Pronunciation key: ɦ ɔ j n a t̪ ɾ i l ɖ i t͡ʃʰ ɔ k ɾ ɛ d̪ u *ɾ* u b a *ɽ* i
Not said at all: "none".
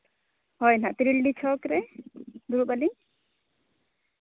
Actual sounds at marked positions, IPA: ɾ, l

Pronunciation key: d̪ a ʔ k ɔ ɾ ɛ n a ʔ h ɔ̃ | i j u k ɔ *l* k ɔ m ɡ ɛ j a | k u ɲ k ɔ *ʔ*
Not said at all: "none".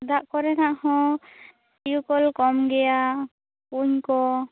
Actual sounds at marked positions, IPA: l, none

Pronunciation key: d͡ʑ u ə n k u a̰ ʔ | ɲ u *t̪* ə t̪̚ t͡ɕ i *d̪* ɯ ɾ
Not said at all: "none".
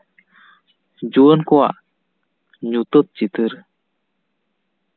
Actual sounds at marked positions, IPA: t̪, t̪

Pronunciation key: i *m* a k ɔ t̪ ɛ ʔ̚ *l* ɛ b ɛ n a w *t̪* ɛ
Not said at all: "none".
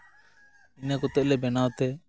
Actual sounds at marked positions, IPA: n, l, t̪

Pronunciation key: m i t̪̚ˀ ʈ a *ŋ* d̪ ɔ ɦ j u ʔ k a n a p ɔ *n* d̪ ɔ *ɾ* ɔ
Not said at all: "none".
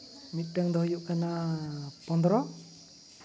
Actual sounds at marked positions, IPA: ŋ, n, ɾ

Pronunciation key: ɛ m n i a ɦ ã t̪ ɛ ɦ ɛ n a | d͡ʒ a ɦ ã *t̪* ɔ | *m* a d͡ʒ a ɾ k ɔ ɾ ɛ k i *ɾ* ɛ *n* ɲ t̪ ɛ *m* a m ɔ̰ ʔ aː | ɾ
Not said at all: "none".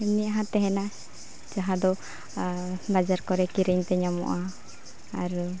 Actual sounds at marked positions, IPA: d̪, b, ɾ, none, ɲ

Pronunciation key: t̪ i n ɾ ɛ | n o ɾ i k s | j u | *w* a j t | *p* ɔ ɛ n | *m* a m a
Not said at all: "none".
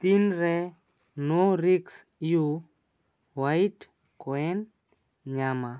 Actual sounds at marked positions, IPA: w, k, ɲ

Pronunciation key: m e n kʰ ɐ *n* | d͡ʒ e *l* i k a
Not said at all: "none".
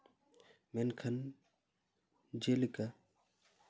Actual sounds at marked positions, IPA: n, l

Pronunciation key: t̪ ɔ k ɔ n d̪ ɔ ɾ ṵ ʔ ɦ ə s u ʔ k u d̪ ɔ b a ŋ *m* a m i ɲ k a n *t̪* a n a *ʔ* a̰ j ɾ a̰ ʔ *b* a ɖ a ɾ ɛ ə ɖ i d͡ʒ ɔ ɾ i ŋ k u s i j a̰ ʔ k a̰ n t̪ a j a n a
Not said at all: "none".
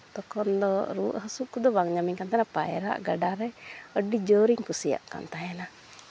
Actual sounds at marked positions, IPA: ɲ, t̪, p, ɡ

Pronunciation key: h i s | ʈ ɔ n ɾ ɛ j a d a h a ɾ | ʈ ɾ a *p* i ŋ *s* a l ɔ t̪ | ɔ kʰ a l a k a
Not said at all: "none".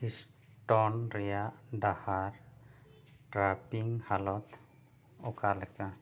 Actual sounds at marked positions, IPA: p, h

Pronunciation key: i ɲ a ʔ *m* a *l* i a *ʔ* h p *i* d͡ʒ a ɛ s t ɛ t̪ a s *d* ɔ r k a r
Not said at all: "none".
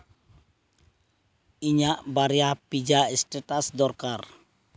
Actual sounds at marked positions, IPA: b, ɾ, none, i, d

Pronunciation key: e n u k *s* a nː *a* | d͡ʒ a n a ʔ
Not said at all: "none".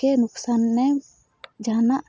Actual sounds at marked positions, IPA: s, ɛ

